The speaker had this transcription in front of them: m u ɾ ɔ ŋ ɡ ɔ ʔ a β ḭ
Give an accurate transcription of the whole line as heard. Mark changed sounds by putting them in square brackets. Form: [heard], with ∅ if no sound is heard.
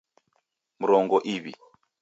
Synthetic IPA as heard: m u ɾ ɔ ŋ ɡ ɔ ʔ [i] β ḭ